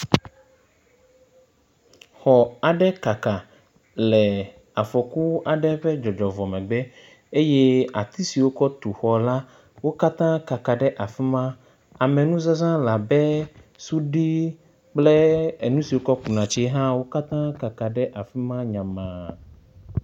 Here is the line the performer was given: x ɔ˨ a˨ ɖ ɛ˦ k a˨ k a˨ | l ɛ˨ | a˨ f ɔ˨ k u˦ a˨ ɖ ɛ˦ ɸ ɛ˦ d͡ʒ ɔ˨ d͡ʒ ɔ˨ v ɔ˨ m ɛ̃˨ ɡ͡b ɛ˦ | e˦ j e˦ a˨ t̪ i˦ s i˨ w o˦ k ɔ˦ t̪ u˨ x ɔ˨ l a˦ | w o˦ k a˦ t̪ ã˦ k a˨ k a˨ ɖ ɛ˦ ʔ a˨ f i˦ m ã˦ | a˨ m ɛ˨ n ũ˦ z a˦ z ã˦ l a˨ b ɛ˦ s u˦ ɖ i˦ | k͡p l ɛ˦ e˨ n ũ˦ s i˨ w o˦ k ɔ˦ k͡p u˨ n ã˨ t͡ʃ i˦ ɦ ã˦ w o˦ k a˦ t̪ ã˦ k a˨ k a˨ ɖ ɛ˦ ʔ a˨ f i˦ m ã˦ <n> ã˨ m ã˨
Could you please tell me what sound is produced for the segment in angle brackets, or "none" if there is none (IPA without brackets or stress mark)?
ɲ